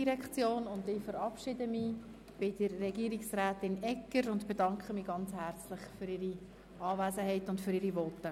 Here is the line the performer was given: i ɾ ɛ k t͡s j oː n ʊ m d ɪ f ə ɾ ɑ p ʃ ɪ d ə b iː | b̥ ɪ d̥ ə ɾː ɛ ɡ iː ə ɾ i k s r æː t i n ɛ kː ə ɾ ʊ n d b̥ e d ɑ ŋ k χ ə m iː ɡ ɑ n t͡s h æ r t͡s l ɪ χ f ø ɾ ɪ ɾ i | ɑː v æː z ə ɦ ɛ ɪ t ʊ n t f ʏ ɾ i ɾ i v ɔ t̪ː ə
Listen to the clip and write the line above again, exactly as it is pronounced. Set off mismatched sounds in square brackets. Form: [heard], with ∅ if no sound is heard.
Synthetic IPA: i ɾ ɛ k t͡s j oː n ʊ [n] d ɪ f ə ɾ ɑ p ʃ ɪ d ə [m] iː | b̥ ɪ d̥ ə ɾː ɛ ɡ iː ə ɾ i k s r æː t [ɪ] n ɛ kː ə ɾ ʊ n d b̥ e d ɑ ŋ k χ ə m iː ɡ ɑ n t͡s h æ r t͡s l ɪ χ f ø ɾ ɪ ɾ i | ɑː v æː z ə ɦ ɛ ɪ t ʊ n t f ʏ ɾ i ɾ i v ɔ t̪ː ə